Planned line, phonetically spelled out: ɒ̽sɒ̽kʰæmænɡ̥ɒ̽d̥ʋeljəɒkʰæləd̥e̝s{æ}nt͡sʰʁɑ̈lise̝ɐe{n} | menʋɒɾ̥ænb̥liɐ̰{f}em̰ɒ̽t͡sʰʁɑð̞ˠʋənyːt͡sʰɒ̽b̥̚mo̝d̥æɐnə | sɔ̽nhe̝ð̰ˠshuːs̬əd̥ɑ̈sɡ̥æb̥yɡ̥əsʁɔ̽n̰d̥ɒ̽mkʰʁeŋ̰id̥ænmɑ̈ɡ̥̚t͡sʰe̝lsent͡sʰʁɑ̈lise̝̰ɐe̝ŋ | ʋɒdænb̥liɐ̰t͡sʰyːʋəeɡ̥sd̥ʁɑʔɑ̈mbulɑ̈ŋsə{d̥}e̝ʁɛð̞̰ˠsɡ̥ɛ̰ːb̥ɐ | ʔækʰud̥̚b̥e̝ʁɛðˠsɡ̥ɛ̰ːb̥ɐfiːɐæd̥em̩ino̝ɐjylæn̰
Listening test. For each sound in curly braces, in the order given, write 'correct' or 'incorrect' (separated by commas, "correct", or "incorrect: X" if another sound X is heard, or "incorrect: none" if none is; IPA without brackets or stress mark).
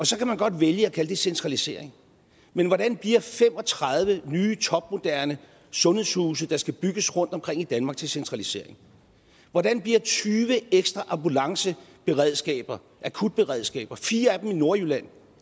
incorrect: e, incorrect: ŋ, correct, incorrect: b̥